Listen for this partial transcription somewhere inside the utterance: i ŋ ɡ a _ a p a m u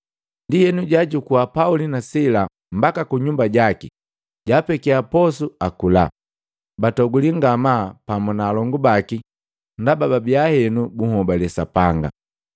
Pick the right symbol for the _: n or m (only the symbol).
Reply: m